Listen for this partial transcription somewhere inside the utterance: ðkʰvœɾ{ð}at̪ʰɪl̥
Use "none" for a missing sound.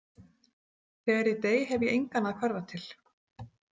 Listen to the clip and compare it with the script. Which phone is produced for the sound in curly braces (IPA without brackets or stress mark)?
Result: v